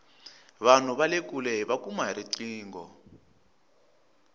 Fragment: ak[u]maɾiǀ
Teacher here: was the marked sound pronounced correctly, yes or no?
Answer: yes